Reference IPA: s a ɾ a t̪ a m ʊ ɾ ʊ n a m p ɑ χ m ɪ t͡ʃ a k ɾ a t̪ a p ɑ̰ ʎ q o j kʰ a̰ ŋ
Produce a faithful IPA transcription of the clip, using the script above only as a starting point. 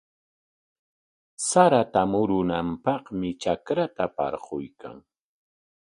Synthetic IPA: s a ɾ a t̪ a m ʊ ɾ ʊ n a m p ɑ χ m ɪ t͡ʃ a k ɾ a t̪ a p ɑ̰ ɾ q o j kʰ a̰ ŋ